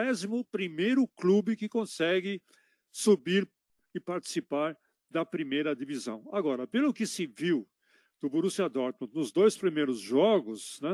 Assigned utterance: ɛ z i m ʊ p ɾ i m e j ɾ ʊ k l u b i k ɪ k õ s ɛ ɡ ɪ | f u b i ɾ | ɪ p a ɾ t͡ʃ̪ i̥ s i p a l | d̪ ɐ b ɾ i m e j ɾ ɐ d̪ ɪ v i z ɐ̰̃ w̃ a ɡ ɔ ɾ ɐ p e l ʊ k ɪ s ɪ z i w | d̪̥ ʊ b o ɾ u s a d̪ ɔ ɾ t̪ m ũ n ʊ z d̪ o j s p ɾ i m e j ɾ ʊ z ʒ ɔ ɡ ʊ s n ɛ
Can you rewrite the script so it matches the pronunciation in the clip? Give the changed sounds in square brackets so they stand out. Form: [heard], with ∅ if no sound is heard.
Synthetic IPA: ɛ z i m ʊ p ɾ i m e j ɾ ʊ k l u b [ɪ] k ɪ k õ s ɛ ɡ ɪ | [s] u b i ɾ | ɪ p a ɾ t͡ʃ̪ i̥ s i p a [ɾ] | d̪ ɐ [p] ɾ i m e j ɾ ɐ d̪ [i] v i z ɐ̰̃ w̃ a ɡ ɔ ɾ ɐ p e l ʊ k ɪ s ɪ [v] i w | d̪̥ ʊ b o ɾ u s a d̪ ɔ ɾ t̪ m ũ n ʊ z d̪ o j s p ɾ i m e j ɾ ʊ z ʒ ɔ ɡ ʊ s n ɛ